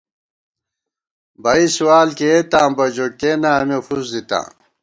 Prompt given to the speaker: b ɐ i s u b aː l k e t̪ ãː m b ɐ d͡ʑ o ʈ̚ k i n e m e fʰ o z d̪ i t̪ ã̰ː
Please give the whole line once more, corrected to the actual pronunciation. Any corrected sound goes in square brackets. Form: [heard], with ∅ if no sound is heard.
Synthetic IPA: b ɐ i s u [w] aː l k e t̪ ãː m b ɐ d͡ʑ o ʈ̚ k [e] n [a] m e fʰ [u] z d̪ i t̪ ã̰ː